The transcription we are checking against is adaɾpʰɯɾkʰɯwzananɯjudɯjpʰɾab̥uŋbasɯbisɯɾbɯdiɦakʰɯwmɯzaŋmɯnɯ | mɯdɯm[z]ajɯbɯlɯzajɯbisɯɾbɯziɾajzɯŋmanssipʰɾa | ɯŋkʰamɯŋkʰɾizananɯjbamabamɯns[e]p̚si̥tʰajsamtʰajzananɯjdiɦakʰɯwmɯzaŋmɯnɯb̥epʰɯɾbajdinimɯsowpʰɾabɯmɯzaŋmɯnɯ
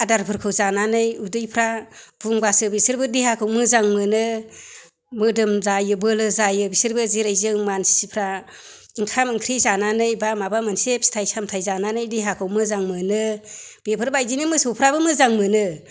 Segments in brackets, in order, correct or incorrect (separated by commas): correct, correct